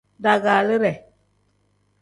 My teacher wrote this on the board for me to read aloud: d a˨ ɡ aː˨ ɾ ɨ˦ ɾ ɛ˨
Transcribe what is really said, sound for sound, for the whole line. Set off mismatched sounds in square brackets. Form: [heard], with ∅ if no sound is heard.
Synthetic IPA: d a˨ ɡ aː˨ [l] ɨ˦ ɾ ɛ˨

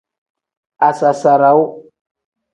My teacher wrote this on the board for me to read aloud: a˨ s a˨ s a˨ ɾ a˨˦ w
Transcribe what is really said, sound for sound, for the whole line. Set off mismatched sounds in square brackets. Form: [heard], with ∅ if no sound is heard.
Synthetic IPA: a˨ s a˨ s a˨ ɾ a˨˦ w

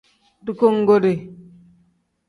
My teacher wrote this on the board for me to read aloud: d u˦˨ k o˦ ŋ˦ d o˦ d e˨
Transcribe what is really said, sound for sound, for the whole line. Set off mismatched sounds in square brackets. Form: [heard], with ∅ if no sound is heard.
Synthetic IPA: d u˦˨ k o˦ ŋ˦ [ɡ] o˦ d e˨

